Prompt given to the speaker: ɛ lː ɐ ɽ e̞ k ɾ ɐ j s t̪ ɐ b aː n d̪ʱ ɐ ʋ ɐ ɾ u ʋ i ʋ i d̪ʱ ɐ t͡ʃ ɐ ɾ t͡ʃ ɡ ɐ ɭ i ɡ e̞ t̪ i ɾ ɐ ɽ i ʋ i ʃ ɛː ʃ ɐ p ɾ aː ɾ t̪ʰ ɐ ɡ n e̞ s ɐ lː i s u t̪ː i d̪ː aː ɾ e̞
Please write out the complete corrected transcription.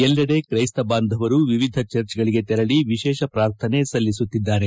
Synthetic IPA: ɛ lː ɐ ɽ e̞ k ɾ ɐ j s t̪ ɐ b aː n d̪ʱ ɐ ʋ ɐ ɾ u ʋ i ʋ i d̪ʱ ɐ t͡ʃ ɐ ɾ t͡ʃ ɡ ɐ ɭ i ɡ e̞ t̪ ɛ ɾ ɐ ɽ i ʋ i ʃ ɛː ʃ ɐ p ɾ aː ɾ t̪ʰ ɐ n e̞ s ɐ lː i s u t̪ː i d̪ː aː ɾ e̞